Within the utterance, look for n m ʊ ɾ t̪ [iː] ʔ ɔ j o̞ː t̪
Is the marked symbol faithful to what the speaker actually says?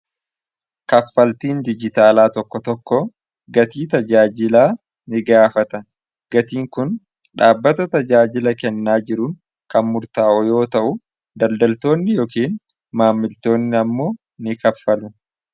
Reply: no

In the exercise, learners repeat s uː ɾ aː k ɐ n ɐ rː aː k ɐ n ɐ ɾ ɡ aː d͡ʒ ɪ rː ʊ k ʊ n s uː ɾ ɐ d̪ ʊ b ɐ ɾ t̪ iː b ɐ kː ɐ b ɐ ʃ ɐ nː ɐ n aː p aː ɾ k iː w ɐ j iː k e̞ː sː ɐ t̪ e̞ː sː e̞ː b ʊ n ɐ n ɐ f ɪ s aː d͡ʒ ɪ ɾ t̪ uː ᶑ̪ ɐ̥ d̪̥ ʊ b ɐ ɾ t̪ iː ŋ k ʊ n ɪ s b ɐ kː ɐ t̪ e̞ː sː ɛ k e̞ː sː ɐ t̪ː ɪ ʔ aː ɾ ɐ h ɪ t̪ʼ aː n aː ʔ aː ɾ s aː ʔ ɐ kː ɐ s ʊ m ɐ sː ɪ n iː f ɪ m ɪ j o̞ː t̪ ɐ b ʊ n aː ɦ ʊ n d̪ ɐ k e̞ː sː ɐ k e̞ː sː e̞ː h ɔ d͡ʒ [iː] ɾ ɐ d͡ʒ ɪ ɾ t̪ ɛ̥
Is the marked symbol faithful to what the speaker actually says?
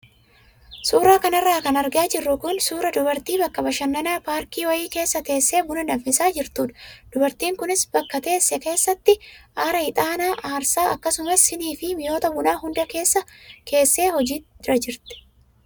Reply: yes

